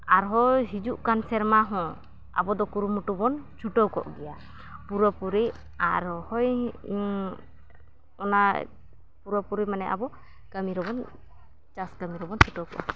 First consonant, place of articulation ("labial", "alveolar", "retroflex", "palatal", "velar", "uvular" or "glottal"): alveolar